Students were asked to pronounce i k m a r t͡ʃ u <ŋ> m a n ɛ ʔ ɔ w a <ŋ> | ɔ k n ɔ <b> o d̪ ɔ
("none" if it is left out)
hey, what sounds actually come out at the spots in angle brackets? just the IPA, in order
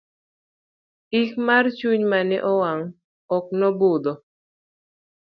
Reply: ɲ, ŋ, b

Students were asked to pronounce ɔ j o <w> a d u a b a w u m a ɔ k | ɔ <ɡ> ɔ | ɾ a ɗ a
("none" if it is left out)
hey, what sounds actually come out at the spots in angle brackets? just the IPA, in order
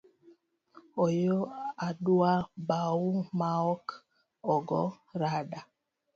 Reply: none, ɡ

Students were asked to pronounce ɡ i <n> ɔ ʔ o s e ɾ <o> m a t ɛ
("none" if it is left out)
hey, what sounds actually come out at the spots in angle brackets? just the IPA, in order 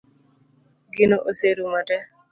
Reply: n, u

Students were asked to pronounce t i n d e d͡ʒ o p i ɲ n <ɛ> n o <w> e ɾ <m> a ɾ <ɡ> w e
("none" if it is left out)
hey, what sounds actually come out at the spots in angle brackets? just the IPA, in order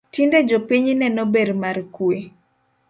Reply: ɛ, b, m, k

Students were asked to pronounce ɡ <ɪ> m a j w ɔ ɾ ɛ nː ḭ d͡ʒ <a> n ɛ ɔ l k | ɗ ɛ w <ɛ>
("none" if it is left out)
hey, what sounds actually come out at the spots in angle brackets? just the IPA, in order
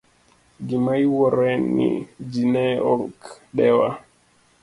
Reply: i, i, a

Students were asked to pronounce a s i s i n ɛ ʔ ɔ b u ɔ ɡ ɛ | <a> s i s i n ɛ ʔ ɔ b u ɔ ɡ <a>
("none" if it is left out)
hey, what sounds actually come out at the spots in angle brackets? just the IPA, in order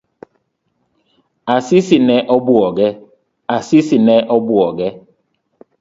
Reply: a, ɛ

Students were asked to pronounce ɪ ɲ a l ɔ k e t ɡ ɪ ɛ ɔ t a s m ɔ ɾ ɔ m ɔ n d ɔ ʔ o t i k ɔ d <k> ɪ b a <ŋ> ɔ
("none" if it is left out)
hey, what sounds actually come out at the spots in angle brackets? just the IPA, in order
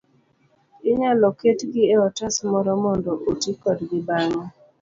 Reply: ɡ, ŋ

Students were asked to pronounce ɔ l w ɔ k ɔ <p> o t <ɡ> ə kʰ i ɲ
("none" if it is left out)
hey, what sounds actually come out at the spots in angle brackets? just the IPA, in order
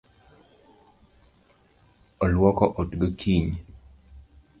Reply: ʔ, ɡ

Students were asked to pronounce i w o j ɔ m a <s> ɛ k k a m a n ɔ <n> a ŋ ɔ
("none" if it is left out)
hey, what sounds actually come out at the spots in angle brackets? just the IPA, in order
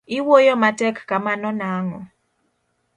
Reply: t, n

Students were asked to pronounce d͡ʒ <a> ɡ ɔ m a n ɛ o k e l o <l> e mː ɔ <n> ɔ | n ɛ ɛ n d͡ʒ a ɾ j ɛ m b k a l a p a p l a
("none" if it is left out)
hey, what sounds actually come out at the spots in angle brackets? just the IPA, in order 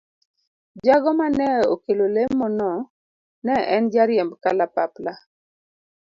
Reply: a, l, n

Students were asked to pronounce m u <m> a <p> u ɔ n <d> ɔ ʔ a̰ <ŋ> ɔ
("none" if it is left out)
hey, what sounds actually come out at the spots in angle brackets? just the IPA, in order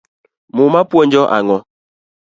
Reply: m, p, d͡ʒ, ŋ

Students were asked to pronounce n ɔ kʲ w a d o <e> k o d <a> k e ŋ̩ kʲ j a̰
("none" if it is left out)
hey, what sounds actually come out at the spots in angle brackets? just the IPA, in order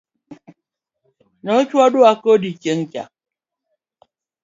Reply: a, i

